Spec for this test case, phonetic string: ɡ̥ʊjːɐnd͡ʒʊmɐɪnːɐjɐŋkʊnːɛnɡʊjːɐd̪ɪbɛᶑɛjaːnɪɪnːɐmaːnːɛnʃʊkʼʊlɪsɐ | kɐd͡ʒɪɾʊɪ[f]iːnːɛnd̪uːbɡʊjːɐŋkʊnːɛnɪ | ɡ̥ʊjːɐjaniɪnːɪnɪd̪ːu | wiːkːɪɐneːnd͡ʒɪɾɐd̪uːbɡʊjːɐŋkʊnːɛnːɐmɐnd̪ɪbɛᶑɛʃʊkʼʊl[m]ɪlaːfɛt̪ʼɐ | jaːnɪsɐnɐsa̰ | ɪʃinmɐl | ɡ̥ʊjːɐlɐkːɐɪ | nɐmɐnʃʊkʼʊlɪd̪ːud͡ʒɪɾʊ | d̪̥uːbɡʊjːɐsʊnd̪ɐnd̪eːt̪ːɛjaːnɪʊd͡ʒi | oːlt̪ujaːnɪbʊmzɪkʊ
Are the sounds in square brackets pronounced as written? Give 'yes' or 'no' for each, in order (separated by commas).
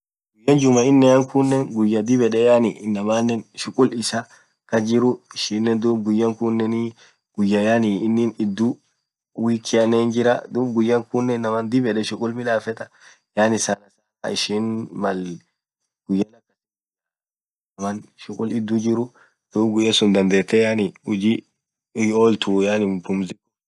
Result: no, yes